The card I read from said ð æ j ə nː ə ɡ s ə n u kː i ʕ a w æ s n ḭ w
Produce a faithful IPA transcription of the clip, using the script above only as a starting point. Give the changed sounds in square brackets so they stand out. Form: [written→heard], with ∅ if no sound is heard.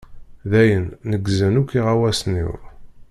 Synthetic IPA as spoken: ð æ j ə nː ə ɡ [s→z] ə n u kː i [ʕ→ʁ] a w æ s n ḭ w